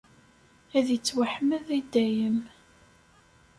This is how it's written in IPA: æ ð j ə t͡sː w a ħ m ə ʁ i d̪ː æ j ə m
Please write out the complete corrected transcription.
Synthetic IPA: æ ð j ə t͡sː w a ħ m ə ð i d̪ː æ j ə m

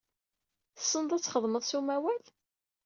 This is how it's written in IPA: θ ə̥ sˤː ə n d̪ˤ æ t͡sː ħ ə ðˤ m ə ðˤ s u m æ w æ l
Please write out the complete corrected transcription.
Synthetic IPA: θ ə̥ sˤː ə n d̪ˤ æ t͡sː χ ə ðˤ m ə ðˤ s u m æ w æ l

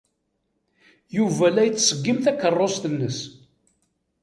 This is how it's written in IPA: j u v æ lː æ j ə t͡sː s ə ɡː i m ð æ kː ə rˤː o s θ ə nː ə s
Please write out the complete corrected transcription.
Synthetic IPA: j u v æ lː æ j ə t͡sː s ə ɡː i m θ æ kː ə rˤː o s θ ə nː ə s

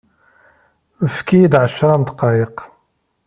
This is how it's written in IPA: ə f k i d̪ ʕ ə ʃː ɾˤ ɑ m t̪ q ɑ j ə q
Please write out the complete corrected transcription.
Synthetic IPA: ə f k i d̪ ʕ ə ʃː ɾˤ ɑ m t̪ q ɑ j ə q

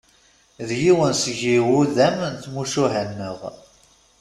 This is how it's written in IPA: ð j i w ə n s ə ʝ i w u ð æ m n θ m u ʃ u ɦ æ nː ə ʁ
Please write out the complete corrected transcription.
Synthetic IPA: ð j i w ə n s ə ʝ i w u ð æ m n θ m u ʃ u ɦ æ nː ə ʁ

